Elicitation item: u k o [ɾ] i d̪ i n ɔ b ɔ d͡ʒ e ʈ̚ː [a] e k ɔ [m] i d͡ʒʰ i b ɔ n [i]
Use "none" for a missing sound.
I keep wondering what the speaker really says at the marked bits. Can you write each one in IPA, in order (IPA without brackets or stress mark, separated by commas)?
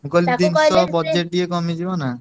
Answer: l, i, m, a